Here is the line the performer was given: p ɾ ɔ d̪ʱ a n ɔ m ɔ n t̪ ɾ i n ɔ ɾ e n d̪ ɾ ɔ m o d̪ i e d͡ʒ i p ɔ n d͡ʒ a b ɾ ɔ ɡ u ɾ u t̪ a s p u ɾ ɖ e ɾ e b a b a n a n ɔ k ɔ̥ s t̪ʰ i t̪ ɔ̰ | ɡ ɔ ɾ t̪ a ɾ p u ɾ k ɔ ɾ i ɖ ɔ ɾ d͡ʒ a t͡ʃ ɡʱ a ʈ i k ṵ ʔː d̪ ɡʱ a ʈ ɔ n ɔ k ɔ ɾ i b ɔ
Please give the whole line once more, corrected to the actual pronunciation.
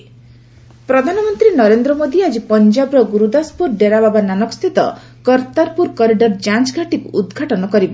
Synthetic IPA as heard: p ɾ ɔ d̪ʱ a n ɔ m ɔ n t̪ ɾ i n ɔ ɾ e n d̪ ɾ ɔ m o d̪ i a d͡ʒ i p ɔ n d͡ʒ a b ɾ ɔ ɡ u ɾ u d̪ a s p u ɾ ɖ e ɾ a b a b a n a n ɔ k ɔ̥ s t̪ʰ i t̪ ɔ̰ | k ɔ ɾ t̪ a ɾ p u ɾ k ɔ ɾ i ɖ ɔ ɾ d͡ʒ a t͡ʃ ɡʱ a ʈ i k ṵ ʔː d̪ ɡʱ a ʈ ɔ n ɔ k ɔ ɾ i b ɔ